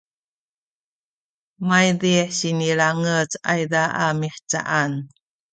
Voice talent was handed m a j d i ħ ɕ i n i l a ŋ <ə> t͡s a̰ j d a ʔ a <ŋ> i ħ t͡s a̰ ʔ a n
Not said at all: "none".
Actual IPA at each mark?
ə, m

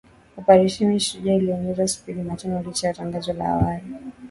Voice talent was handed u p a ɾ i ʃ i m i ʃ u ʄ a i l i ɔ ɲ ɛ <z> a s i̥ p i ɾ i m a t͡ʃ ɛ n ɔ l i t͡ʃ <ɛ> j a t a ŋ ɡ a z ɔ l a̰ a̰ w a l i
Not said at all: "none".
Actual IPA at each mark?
z, a

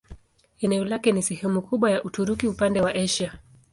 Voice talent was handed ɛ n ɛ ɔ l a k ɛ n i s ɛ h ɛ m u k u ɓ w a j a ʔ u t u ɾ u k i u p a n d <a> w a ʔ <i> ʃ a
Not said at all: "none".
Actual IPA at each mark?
ɛ, ɛ

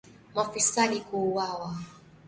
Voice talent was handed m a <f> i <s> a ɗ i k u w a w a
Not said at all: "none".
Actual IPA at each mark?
f, s

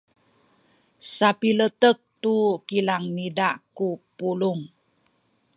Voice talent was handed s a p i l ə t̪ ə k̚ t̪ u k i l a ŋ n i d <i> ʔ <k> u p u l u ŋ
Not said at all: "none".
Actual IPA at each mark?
a, k

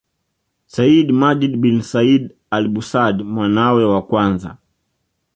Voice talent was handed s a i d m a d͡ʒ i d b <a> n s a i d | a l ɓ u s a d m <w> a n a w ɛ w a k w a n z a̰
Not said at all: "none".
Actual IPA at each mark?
i, w

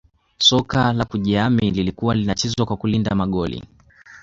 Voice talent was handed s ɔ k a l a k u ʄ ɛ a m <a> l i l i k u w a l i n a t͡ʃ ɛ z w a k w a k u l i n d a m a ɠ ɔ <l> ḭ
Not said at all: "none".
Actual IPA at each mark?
i, l

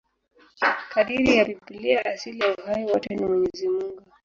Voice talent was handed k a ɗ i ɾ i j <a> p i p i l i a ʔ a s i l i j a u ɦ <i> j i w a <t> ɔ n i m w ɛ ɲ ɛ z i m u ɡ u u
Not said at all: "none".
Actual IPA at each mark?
a, a, t

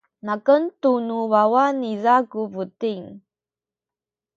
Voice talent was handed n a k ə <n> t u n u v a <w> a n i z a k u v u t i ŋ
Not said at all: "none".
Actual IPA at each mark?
n, w

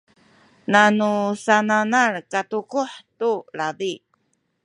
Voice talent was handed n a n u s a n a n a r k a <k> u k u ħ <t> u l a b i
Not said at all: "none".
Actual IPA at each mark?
t, t

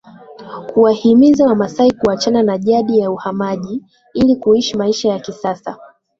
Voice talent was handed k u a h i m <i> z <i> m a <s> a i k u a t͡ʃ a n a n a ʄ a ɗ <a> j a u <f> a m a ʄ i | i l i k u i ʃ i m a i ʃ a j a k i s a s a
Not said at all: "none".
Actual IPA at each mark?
i, a, s, i, h

